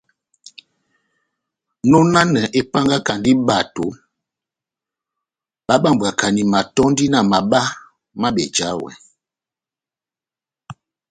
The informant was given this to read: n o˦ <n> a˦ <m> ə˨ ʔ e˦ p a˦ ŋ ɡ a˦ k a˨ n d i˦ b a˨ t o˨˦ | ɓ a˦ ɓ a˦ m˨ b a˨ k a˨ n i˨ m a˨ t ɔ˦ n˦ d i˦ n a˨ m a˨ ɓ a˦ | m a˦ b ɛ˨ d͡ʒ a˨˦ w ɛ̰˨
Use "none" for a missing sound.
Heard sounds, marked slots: n, n

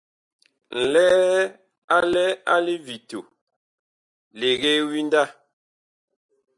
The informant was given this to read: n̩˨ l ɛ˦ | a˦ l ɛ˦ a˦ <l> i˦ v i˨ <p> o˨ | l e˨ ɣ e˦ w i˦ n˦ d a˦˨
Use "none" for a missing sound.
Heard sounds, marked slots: l, t

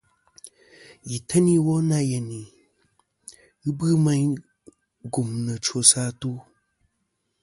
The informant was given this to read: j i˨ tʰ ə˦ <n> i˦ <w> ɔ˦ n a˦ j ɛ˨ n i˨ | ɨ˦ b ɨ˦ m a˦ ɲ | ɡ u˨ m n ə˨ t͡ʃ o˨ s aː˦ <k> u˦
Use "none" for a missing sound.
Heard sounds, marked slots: n, w, t

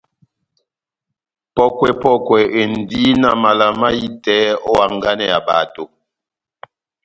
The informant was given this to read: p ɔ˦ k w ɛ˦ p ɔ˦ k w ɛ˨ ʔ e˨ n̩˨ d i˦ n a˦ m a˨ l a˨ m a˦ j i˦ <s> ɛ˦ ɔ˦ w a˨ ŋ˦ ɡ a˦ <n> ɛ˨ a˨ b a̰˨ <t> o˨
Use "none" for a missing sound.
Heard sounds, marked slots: t, n, t

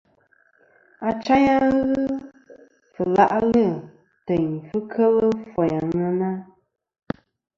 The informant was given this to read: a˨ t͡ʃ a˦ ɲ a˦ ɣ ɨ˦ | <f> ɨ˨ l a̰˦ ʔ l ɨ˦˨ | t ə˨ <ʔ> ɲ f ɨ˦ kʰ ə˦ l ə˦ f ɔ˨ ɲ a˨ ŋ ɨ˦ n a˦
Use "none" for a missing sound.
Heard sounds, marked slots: f, none

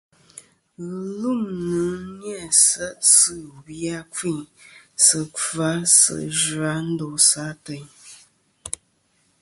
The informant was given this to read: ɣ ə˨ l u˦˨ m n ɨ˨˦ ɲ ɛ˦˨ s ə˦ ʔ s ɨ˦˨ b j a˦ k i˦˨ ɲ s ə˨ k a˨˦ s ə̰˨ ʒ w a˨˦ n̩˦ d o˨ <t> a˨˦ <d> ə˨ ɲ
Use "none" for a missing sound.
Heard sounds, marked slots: s, t

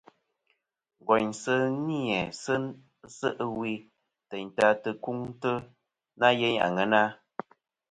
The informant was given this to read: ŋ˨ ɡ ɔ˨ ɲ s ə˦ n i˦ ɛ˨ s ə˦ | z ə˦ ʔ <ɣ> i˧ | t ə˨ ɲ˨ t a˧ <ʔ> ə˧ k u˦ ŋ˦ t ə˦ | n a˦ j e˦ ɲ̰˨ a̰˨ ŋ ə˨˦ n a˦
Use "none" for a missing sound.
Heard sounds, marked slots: w, t

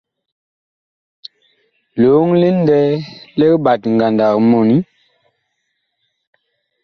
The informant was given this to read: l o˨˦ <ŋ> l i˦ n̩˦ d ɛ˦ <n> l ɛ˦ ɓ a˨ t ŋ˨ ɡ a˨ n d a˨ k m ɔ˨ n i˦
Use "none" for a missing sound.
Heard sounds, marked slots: ŋ, none

